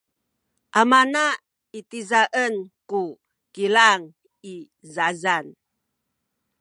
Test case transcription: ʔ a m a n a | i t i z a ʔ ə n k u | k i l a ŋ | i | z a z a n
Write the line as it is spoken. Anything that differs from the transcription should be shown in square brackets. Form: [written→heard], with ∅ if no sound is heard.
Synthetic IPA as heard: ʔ a m a n a | i t i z a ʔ ə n k u | k i l a ŋ | i | z a z a n